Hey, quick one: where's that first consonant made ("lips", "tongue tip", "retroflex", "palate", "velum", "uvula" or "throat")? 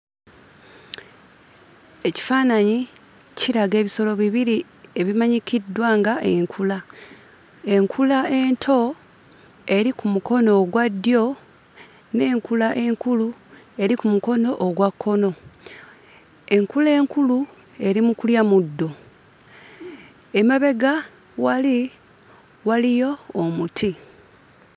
palate